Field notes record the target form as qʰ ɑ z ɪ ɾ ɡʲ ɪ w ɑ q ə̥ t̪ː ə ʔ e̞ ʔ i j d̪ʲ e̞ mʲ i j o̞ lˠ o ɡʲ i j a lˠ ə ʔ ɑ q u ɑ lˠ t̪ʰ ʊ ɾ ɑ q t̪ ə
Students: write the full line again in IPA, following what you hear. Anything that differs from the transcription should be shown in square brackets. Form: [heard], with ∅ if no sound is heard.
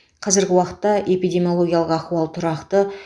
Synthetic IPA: qʰ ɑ z ɪ ɾ ɡʲ ɪ w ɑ q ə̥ t̪ː [ɑ] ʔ e̞ [p] i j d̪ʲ e̞ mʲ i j o̞ lˠ o ɡʲ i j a lˠ ə [q] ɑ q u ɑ lˠ t̪ʰ ʊ ɾ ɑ q t̪ ə